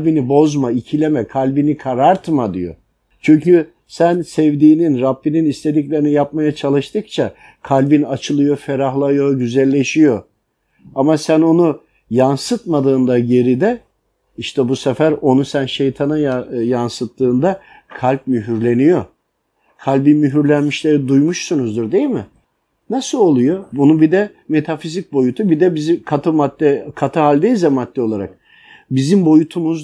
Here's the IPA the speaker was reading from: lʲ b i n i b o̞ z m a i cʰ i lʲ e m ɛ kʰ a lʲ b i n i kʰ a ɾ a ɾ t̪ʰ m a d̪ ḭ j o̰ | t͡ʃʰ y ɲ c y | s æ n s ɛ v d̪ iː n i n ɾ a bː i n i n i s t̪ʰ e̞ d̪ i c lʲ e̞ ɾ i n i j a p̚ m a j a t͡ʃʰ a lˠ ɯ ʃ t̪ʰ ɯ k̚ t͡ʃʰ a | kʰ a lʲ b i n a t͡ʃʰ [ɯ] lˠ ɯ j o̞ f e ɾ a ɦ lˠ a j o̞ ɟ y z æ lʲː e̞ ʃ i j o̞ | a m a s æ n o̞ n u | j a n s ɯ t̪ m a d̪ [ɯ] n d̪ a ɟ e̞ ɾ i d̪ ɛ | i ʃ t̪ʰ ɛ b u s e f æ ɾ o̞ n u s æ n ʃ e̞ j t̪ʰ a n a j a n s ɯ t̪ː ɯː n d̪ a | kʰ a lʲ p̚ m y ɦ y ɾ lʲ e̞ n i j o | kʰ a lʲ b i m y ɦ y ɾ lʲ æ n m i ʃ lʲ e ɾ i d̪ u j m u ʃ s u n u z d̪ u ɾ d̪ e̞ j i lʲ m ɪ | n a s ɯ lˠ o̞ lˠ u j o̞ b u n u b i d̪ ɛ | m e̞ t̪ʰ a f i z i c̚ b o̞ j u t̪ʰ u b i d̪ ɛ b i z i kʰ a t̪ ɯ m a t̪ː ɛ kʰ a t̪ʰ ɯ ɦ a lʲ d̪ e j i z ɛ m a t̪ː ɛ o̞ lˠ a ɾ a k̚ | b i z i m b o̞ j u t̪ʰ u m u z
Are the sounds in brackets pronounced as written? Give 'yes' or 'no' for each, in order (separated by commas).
yes, no